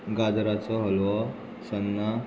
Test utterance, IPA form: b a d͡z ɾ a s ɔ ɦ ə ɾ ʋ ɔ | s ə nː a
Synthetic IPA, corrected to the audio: ɡ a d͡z ɾ a t͡s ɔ ɦ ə l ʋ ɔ | s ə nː a